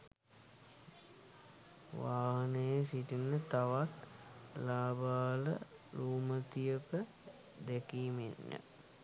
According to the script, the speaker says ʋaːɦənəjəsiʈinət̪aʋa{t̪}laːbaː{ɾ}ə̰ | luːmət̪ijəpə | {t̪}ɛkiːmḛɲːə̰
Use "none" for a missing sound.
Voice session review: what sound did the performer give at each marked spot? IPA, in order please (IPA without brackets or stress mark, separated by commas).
t̪, l, d̪